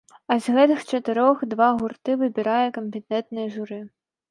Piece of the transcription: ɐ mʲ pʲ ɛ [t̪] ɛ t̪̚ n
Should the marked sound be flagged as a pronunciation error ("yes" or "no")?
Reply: no